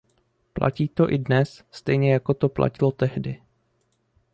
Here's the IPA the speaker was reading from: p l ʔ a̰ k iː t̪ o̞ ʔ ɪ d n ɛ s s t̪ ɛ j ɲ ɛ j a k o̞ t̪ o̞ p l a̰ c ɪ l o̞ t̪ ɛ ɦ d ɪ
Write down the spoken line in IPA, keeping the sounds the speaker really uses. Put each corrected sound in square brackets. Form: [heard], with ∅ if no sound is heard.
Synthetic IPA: p l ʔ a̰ [c] iː t̪ o̞ ʔ ɪ d n ɛ s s t̪ ɛ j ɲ ɛ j a k o̞ t̪ o̞ p l a̰ c ɪ l o̞ t̪ ɛ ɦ d ɪ